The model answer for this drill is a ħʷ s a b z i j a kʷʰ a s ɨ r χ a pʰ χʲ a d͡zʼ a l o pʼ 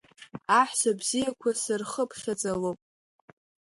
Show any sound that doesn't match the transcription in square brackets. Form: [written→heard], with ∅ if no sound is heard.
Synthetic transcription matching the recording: a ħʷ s a b z i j a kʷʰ a s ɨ r χ [a→ə] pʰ χʲ a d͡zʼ a l o pʼ